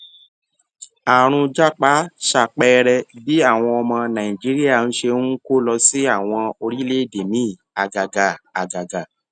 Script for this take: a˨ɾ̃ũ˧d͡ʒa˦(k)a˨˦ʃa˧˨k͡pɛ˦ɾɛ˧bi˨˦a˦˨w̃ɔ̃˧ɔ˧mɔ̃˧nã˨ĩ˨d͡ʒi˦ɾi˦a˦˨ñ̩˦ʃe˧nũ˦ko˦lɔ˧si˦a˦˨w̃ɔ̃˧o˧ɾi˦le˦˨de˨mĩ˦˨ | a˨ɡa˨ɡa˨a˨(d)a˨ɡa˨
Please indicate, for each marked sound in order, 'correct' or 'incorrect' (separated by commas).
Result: incorrect, incorrect